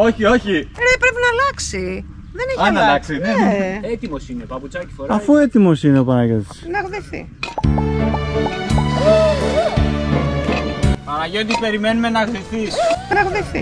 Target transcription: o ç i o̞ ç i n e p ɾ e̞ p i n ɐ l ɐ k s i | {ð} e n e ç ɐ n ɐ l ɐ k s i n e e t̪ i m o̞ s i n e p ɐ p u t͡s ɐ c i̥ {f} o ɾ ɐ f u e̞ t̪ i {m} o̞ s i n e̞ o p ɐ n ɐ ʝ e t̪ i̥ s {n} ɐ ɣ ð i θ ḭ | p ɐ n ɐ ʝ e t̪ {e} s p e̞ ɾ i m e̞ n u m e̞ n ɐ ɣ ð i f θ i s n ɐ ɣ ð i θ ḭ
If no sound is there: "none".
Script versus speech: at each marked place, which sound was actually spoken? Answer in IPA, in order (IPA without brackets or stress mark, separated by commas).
ð, f, m, n, i